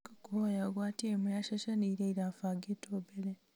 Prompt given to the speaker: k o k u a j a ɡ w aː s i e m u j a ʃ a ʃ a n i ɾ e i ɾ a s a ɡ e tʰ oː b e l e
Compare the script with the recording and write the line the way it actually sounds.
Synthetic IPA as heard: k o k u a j a ɡ w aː t i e m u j a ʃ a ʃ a n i ɾ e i ɾ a f a ɡ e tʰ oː b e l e